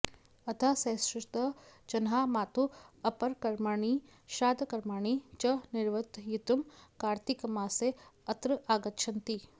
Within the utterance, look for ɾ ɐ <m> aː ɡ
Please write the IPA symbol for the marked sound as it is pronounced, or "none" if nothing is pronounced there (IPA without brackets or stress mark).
none